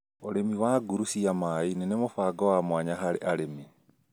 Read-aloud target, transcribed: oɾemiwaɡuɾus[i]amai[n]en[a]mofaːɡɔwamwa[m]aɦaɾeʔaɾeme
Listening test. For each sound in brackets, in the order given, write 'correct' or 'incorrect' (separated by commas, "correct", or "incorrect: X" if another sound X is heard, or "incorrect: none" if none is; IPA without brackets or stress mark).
correct, correct, incorrect: e, incorrect: ɲ